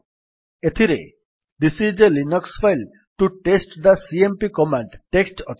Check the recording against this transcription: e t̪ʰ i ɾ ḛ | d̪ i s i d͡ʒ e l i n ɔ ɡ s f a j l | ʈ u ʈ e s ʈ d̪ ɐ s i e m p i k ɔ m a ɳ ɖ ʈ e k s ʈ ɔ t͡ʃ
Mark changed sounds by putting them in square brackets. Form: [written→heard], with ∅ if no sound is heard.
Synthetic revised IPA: e t̪ʰ i ɾ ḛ | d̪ i s i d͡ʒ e l i n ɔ [ɡ→k] s f a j l | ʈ u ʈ e s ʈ d̪ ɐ s i e m p i k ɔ m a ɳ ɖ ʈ e k s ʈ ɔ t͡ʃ

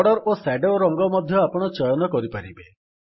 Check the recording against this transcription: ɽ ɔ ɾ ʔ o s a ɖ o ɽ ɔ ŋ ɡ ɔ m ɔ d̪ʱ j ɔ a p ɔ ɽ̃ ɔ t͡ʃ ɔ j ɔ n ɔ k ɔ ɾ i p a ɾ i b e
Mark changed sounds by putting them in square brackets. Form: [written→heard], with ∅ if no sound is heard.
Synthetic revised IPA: ɽ ɔ ɾ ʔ o s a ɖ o [ɽ→ɾ] ɔ ŋ ɡ ɔ m ɔ d̪ʱ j ɔ a p ɔ ɽ̃ ɔ t͡ʃ ɔ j ɔ n ɔ k ɔ ɾ i p a ɾ i b e

